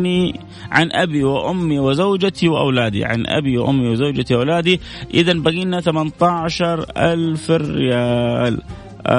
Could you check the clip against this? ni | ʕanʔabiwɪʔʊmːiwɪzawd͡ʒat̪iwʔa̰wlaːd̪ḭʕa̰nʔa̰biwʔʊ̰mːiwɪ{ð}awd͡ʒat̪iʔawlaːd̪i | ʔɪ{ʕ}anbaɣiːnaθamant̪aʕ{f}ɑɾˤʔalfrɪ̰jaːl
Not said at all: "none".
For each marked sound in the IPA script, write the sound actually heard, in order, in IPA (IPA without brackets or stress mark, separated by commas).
z, ð, ʃ